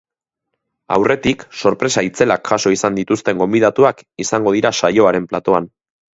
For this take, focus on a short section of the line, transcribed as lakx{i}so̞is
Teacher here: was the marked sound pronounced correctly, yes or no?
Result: no